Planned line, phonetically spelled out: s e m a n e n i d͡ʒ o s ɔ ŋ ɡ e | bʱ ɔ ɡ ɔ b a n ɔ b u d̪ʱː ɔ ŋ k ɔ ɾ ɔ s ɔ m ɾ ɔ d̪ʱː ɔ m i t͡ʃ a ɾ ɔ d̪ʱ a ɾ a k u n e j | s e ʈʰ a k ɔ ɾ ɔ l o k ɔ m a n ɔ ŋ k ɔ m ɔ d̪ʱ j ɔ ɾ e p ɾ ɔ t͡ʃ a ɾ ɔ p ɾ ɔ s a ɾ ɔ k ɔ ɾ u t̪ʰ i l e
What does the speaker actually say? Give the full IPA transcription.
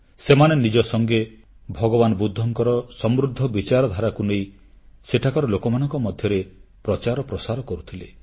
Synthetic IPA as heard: s e m a n e n i d͡ʒ ɔ s ɔ ŋ ɡ e | bʱ ɔ ɡ ɔ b a n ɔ b u d̪ʱː ɔ ŋ k ɔ ɾ ɔ s ɔ m ɾ u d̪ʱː ɔ b i t͡ʃ a ɾ ɔ d̪ʱ a ɾ a k u n e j | s e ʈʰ a k ɔ ɾ ɔ l o k ɔ m a n ɔ ŋ k ɔ m ɔ d̪ʱ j ɔ ɾ e p ɾ ɔ t͡ʃ a ɾ ɔ p ɾ ɔ s a ɾ ɔ k ɔ ɾ u t̪ʰ i l e